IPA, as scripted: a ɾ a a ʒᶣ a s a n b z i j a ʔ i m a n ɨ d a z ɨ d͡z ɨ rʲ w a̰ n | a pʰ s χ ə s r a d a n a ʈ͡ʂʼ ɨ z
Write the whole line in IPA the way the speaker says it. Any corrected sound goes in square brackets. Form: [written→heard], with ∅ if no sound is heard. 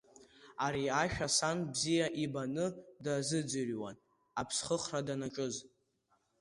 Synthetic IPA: a ɾ [a→i] a [ʒᶣ→ʃᶣ] a s a n b z i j a ʔ i [m→b] a n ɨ d a z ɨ d͡z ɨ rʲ w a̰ n | a pʰ s χ ə [s→χ] r a d a n a ʈ͡ʂʼ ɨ z